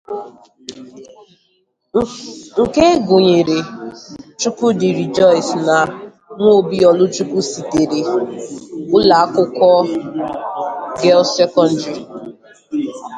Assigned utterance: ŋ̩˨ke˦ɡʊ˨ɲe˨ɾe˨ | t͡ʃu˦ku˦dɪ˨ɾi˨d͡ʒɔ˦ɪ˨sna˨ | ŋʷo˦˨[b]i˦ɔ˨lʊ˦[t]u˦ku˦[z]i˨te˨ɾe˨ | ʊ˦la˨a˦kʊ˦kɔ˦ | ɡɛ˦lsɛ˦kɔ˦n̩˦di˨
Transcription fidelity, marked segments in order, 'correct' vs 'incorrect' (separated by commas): correct, incorrect, incorrect